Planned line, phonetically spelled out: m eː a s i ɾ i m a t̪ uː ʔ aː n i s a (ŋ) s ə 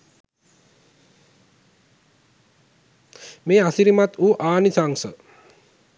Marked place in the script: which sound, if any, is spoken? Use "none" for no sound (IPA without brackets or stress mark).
ŋ